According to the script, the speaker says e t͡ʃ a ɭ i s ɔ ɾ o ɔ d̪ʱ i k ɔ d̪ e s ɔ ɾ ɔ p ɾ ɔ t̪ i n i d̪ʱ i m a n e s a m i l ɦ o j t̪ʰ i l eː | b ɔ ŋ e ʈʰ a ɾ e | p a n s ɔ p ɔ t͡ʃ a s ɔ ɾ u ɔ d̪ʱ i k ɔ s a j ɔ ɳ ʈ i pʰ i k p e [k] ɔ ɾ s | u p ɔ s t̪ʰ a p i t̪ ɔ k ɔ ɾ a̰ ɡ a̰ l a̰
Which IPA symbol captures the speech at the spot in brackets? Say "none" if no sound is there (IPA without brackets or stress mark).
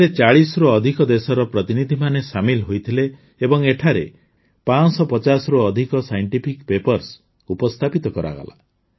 p